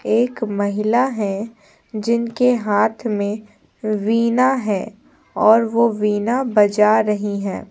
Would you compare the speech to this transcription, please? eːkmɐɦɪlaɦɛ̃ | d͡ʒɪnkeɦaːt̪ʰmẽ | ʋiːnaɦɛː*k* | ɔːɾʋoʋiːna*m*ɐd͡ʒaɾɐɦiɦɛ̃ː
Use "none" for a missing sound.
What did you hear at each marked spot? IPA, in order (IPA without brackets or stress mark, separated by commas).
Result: none, b